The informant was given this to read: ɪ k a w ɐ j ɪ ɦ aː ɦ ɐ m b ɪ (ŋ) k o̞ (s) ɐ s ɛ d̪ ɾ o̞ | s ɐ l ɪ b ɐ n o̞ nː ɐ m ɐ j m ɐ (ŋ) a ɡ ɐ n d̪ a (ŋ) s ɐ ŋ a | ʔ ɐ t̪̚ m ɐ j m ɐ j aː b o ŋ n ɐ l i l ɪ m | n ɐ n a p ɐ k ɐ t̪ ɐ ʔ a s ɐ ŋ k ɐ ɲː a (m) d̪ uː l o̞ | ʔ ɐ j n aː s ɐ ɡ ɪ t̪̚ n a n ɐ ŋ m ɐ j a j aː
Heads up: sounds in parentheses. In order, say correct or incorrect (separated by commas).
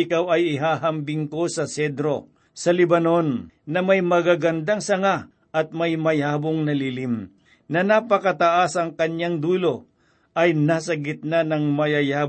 correct, correct, incorrect, correct, incorrect